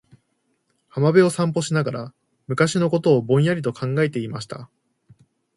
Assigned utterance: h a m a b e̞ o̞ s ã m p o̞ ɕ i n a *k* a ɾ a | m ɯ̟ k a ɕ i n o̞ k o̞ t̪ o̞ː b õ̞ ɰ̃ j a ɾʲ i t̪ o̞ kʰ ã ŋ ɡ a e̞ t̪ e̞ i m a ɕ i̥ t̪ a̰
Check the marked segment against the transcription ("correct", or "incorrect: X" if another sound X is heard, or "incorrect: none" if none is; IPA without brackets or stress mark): incorrect: ɡ